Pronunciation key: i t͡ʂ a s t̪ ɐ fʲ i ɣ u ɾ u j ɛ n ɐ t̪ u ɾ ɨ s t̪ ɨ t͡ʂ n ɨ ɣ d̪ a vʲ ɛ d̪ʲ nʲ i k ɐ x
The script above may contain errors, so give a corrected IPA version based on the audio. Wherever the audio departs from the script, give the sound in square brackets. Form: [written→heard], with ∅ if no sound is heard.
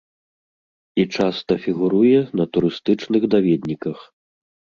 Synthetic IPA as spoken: i t͡ʂ a s t̪ ɐ fʲ i ɣ u ɾ u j ɛ n ɐ t̪ u ɾ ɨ s t̪ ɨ t͡ʂ n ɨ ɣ d̪ a vʲ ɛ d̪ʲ nʲ i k ɐ x